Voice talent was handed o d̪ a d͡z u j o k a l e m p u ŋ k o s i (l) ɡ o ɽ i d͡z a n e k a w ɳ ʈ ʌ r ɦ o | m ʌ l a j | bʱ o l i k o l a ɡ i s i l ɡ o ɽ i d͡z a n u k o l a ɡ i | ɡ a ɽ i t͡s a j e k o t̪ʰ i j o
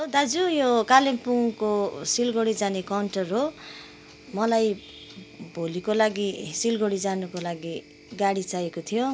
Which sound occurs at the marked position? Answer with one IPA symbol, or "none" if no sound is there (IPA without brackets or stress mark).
l